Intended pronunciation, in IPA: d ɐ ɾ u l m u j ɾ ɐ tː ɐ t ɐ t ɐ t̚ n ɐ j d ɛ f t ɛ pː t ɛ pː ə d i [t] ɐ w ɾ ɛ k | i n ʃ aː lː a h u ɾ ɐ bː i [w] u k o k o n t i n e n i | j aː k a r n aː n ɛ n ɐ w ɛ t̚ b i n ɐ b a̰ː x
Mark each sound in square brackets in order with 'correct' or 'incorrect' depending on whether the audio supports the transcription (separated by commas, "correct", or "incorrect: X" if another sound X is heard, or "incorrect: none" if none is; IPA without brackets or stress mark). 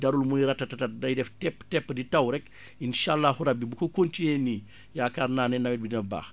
correct, incorrect: b